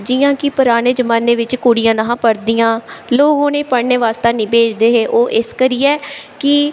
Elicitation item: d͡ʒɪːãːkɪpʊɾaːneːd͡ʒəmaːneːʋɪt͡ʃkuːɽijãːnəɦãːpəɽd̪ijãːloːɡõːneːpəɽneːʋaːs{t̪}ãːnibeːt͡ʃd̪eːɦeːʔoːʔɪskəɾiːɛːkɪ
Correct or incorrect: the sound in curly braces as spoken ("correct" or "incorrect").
correct